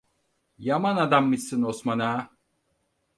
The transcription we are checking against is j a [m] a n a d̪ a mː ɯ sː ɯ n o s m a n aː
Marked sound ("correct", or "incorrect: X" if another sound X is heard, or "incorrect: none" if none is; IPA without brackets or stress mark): correct